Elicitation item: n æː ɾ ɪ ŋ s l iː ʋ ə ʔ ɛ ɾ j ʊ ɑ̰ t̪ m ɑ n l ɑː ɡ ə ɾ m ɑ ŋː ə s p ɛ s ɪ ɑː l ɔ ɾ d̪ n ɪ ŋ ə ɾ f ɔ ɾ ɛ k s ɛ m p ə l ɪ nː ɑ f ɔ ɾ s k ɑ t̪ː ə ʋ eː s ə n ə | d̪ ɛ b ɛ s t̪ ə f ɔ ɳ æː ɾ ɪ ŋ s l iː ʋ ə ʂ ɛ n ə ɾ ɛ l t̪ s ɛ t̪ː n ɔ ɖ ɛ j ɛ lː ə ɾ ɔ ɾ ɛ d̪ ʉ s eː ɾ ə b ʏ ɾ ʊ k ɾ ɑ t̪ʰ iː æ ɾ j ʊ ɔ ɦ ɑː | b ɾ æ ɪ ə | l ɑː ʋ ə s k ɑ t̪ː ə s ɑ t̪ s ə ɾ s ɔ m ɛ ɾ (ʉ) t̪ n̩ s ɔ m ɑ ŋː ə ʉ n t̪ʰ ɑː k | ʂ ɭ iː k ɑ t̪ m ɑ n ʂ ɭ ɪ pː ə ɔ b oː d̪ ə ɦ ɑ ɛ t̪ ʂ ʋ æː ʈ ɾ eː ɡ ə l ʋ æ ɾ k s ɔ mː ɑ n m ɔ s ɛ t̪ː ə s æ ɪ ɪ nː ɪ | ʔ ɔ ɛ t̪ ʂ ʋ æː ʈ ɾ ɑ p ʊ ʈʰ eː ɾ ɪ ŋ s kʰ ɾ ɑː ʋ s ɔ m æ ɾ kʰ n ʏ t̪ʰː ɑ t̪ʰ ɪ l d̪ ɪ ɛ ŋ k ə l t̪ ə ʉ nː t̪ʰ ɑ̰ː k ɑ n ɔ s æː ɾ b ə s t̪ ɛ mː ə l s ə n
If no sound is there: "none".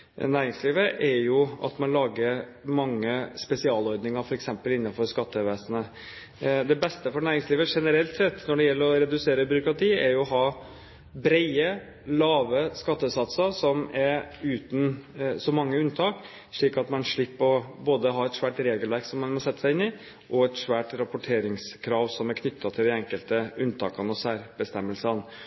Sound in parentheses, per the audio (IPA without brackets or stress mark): ʉː